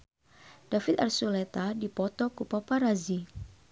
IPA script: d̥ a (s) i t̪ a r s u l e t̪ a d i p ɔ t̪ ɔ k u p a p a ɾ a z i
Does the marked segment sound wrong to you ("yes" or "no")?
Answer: yes